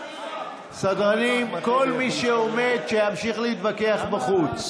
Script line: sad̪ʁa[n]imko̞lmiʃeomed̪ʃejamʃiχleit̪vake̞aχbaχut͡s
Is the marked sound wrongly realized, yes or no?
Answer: no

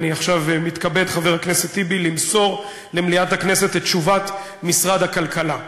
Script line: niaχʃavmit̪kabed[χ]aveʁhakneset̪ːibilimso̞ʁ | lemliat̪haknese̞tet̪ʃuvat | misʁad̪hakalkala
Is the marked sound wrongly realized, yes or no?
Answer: no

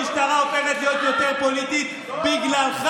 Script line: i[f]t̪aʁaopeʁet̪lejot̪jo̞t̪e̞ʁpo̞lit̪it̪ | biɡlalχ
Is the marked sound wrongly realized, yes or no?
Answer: yes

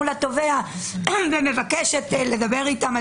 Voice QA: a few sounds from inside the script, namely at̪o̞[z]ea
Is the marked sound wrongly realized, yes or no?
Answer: yes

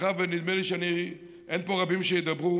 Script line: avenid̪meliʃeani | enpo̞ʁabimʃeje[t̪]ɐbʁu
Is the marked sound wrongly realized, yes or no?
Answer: yes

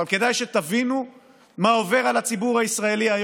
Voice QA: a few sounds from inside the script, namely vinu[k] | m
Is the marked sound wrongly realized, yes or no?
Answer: yes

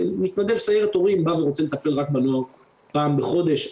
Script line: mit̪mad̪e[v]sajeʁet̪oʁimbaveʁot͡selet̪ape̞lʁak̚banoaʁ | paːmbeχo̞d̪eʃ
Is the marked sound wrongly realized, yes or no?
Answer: no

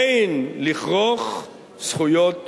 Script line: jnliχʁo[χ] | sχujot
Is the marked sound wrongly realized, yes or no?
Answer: no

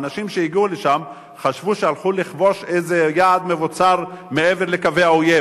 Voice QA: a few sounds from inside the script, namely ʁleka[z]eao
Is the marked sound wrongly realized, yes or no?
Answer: yes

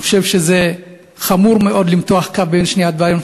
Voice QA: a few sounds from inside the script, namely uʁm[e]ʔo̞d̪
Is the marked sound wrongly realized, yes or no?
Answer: no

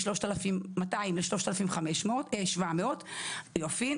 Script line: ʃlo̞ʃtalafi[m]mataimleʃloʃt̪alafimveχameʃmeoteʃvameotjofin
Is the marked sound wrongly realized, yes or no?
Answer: no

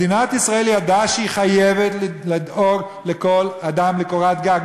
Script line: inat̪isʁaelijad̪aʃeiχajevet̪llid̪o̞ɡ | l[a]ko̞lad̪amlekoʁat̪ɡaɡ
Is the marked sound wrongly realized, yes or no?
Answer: yes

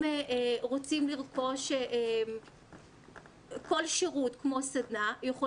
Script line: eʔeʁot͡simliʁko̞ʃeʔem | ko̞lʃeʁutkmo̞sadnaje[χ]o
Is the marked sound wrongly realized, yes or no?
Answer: no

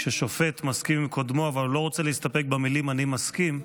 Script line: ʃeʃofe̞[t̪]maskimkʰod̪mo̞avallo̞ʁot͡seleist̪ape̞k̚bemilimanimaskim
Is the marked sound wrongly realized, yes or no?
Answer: no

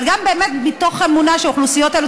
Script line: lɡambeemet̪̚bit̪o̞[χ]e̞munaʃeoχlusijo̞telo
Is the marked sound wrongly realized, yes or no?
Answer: no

